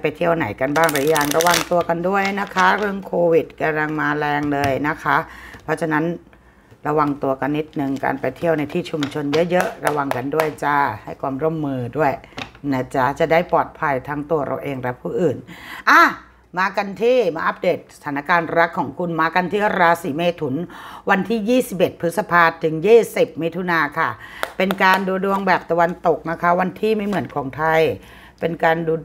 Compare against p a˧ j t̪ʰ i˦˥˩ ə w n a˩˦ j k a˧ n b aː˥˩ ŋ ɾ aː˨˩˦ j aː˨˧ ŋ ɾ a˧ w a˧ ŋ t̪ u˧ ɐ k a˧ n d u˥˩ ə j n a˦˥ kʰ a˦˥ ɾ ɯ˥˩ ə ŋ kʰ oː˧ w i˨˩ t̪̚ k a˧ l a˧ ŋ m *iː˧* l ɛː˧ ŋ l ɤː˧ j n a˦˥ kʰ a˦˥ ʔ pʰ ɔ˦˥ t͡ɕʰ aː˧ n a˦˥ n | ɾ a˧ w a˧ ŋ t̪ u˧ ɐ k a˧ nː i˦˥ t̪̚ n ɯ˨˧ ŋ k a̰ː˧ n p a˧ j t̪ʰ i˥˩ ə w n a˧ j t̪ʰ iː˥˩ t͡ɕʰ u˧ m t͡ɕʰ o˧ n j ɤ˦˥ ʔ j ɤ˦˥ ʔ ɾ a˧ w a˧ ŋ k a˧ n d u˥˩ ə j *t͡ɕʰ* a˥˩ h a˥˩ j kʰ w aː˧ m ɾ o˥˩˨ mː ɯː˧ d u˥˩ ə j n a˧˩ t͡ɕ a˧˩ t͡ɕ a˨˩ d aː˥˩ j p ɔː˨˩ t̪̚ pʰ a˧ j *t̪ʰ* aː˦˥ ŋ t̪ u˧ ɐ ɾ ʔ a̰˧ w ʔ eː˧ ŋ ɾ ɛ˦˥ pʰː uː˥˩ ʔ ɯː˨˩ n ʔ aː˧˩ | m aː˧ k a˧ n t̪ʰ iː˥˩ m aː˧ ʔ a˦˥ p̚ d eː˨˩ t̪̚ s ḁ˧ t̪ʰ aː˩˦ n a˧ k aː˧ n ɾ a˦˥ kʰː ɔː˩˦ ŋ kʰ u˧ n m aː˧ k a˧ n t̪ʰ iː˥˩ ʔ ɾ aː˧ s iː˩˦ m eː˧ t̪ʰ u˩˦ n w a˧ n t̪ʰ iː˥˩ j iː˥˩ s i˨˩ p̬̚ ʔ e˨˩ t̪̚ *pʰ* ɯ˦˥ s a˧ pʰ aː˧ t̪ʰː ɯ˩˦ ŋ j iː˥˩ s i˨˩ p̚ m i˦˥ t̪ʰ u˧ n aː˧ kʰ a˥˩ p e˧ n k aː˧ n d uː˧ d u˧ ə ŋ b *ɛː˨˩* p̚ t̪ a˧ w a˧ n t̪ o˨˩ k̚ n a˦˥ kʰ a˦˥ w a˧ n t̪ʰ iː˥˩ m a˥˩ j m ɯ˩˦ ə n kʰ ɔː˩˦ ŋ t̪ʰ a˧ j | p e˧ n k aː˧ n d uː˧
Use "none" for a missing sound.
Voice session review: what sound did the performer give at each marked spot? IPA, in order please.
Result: aː˧, t͡ɕ, t̪ʰ, pʰ, ɛː˨˩

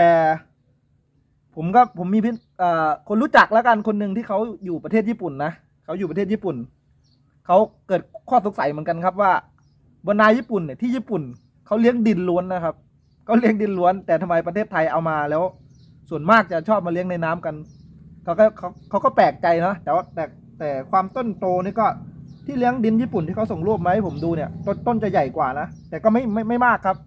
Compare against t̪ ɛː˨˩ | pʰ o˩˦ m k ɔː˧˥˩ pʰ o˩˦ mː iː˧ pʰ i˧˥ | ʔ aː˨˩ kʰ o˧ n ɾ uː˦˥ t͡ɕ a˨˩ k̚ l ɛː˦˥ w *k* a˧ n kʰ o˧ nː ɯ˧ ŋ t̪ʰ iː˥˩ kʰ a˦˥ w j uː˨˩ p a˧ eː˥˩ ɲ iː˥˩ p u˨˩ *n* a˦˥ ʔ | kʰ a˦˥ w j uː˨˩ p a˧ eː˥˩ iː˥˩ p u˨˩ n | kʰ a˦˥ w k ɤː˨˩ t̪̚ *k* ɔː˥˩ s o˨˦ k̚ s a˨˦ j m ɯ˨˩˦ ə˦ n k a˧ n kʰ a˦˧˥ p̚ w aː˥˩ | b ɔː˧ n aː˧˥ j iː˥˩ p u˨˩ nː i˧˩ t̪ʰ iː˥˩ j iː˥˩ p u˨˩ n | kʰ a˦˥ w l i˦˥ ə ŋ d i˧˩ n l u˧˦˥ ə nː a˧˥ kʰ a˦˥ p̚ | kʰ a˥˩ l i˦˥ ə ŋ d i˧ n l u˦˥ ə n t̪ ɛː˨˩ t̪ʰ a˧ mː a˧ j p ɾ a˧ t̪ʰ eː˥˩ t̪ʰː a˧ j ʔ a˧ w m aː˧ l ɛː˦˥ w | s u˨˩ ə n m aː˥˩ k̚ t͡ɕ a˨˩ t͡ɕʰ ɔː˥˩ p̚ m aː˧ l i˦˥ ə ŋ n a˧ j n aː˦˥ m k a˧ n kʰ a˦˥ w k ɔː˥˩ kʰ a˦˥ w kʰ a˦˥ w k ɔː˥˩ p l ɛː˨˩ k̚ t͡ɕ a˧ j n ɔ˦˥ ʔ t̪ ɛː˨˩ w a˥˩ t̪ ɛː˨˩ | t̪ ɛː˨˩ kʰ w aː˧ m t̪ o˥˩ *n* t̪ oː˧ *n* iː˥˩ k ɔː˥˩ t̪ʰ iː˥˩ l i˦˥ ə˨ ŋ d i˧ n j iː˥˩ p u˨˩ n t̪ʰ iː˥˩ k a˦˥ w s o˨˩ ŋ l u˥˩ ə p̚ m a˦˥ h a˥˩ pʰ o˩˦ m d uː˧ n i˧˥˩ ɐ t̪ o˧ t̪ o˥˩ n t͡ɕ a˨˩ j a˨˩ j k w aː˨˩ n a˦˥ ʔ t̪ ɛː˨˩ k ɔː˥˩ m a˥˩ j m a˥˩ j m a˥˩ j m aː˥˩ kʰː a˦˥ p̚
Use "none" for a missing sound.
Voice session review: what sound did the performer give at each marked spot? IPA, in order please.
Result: k, nː, kʰ, n, n

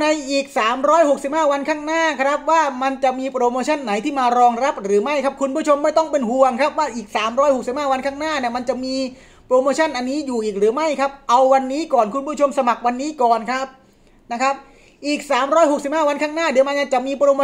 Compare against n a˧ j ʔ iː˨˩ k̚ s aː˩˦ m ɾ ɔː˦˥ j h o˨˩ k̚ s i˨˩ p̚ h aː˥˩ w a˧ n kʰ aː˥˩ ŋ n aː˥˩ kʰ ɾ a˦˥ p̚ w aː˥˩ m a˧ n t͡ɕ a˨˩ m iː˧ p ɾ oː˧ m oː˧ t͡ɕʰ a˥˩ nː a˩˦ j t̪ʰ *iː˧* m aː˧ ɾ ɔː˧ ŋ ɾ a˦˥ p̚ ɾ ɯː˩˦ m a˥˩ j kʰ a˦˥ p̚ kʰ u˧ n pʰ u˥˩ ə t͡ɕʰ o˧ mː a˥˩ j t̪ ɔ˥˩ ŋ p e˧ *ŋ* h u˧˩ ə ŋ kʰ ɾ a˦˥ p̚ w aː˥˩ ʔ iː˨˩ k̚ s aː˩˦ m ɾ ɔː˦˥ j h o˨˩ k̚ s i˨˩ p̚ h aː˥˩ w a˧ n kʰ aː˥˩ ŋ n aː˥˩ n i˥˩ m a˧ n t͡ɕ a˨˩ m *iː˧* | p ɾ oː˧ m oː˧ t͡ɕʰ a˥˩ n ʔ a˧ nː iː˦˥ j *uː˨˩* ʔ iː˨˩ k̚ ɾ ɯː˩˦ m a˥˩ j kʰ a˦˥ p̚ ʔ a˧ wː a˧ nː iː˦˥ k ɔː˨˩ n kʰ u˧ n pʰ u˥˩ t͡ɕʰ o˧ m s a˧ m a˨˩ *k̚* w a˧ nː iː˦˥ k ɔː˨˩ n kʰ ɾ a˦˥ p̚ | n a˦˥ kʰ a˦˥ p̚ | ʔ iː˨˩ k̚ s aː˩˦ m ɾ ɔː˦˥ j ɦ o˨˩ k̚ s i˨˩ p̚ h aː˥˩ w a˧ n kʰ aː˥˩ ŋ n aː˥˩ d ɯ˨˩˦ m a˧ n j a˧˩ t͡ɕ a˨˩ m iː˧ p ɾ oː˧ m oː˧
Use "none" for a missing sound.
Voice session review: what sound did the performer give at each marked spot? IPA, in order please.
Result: iː˥˩, n, iː˧, uː˨˩, k̚

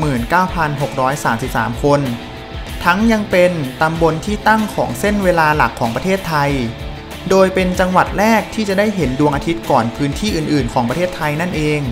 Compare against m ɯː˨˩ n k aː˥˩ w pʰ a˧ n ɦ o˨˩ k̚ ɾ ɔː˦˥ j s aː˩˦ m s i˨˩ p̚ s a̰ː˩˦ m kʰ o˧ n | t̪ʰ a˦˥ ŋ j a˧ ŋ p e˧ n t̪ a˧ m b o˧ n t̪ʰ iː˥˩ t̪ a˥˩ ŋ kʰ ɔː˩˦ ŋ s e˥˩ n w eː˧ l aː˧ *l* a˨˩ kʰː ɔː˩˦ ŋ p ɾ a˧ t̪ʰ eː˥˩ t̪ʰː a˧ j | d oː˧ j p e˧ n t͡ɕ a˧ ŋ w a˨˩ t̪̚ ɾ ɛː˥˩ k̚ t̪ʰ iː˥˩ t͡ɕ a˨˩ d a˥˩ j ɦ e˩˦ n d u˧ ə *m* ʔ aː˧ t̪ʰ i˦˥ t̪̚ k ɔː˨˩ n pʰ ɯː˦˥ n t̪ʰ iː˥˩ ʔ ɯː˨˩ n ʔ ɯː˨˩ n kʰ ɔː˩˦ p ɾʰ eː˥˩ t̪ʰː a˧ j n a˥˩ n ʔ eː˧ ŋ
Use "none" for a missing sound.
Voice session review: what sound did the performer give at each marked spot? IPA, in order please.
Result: l, ŋ

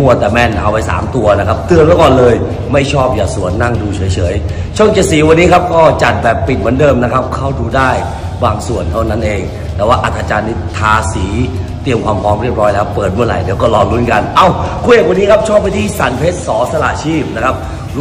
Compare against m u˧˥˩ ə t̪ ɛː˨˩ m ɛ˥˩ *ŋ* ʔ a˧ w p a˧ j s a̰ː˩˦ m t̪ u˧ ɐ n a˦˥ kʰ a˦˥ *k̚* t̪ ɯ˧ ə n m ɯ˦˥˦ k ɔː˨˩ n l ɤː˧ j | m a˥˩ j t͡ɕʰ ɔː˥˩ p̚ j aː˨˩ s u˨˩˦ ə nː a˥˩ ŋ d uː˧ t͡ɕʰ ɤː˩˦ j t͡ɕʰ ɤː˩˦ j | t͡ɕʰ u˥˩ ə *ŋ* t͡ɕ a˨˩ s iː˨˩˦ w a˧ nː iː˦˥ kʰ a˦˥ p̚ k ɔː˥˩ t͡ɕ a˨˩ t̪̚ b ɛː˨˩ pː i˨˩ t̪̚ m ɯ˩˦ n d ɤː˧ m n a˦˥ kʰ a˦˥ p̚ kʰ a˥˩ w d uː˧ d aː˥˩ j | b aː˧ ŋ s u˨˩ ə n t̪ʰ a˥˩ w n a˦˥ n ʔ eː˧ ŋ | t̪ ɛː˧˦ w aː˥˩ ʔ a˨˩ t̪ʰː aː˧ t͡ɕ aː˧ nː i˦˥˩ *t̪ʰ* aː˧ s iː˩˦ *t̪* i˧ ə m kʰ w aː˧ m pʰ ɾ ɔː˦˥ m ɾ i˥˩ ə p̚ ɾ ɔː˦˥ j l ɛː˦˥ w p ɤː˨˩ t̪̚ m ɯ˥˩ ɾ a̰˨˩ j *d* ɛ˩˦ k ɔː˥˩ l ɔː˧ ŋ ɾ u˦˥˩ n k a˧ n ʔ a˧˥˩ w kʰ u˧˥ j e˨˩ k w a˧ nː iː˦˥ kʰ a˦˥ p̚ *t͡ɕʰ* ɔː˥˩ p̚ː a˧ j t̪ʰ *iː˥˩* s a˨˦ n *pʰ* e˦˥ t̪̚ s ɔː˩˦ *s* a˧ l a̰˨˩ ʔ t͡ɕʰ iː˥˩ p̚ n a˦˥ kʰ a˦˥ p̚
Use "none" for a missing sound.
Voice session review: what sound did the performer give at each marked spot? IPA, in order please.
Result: n, p̚, ŋ, t̪ʰ, t̪, d, t͡ɕʰ, iː˥˩, pʰ, s

